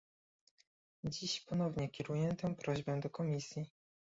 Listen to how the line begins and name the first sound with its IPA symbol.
d͡ʑ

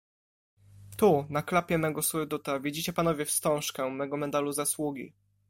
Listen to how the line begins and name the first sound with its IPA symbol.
t̪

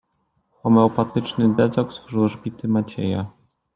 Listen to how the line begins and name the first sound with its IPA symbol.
x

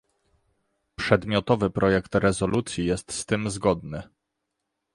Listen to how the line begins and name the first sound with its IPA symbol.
p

